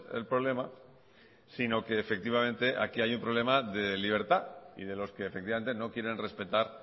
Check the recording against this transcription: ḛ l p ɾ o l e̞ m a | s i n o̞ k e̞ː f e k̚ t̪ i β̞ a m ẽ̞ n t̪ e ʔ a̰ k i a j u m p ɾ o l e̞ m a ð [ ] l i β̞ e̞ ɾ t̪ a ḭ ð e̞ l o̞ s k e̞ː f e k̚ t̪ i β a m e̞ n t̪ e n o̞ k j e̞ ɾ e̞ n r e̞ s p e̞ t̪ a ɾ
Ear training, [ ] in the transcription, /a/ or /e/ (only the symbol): e